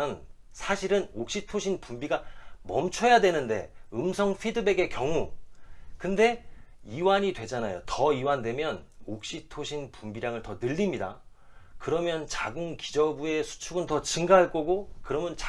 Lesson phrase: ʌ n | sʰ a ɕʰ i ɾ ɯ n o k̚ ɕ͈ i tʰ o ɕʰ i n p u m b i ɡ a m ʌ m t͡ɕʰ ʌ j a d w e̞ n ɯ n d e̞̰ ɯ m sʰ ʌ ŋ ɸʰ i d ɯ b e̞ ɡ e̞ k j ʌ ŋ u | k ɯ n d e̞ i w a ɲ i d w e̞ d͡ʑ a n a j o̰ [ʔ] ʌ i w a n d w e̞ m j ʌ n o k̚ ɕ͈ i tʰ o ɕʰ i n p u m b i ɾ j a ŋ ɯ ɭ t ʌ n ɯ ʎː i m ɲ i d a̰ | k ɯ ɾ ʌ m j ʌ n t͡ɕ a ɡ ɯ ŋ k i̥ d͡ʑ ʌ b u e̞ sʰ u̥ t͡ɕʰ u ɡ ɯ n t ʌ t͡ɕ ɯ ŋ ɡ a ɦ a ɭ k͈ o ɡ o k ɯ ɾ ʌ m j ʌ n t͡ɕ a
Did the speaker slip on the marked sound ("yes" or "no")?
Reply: yes